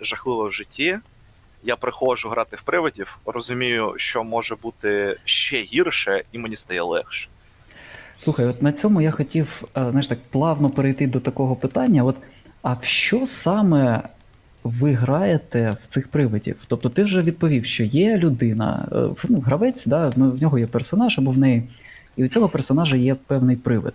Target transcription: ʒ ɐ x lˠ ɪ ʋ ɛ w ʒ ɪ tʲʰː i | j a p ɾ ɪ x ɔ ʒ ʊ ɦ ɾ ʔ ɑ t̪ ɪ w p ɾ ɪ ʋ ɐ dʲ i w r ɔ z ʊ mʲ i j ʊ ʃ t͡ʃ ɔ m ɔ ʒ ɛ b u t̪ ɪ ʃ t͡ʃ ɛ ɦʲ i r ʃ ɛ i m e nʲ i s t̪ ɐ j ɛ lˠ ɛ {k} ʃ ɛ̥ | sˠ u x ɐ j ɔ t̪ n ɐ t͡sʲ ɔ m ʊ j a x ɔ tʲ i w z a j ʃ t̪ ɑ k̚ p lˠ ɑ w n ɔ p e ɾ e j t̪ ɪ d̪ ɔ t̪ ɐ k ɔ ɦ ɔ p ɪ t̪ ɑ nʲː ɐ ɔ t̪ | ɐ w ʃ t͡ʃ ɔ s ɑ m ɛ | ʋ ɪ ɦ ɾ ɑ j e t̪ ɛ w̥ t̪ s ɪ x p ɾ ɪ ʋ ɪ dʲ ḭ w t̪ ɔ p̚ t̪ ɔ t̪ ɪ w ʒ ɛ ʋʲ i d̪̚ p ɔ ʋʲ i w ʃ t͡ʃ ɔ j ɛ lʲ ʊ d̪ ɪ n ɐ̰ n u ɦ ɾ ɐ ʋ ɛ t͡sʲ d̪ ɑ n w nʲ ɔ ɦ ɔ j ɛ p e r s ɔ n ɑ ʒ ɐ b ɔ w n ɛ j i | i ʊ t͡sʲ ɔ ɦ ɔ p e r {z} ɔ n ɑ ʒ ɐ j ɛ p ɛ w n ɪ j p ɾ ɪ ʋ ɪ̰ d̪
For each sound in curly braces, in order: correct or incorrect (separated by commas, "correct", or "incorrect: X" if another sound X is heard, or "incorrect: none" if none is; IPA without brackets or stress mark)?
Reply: incorrect: x, incorrect: s